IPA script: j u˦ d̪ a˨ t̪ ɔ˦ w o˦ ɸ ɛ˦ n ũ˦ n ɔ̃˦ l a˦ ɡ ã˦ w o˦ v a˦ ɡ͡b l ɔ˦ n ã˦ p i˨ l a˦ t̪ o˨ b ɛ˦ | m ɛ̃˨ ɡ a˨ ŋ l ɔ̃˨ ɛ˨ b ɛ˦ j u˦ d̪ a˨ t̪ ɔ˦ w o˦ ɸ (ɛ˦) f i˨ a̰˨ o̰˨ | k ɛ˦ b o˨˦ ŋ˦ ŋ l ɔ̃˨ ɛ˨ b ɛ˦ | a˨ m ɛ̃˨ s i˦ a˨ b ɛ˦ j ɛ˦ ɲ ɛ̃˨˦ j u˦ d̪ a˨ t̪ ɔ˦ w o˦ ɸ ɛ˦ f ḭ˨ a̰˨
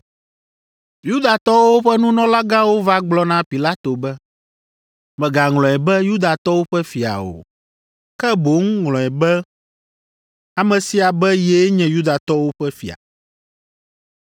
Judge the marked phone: correct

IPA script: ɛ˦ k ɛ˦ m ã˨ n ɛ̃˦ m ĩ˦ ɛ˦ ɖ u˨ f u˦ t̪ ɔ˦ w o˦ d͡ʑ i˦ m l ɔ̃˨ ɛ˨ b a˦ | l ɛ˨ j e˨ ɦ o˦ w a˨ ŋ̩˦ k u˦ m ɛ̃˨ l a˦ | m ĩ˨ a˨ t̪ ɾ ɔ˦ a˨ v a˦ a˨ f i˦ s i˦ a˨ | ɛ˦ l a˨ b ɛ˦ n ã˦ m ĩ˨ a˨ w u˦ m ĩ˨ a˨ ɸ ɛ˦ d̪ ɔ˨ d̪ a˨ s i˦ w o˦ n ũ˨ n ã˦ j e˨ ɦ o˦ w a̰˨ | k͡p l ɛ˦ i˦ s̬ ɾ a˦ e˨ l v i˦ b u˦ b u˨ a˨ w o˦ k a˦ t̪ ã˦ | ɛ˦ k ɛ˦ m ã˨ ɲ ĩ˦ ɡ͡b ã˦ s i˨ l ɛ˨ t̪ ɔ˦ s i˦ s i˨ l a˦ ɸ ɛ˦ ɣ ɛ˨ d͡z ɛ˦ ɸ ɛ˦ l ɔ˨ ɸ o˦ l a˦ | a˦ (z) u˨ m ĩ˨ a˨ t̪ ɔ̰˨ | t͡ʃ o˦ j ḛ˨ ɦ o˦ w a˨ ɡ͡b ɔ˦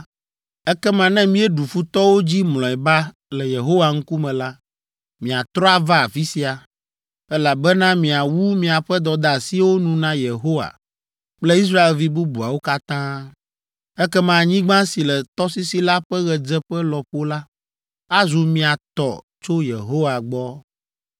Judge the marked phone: correct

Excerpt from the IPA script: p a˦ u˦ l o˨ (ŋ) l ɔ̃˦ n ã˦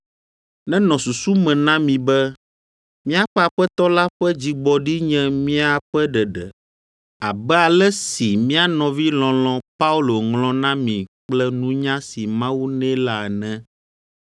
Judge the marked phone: correct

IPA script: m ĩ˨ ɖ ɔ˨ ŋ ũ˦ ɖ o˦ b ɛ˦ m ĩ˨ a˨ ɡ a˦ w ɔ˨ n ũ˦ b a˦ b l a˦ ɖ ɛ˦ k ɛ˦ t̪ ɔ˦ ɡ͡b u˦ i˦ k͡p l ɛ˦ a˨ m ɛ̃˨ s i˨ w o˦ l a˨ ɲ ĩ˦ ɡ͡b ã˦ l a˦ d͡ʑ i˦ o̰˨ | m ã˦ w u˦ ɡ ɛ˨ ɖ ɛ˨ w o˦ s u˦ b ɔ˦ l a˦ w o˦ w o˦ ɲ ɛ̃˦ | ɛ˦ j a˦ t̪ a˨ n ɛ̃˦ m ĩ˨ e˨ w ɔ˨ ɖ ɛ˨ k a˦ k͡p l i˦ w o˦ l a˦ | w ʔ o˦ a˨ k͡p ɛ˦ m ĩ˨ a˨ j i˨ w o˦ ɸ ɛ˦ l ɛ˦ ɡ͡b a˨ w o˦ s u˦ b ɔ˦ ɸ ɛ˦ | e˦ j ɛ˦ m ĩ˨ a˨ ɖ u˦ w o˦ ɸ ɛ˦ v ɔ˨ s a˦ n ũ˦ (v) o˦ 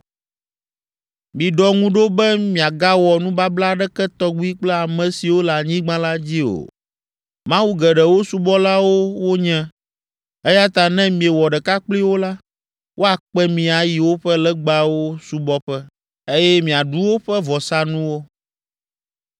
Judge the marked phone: incorrect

